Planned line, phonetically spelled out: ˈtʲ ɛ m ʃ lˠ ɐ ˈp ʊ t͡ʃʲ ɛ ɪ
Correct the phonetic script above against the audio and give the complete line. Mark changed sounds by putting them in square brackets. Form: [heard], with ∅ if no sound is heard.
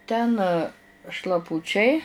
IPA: ˈtʲ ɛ [n] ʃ lˠ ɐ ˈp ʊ t͡ʃʲ ɛ ɪ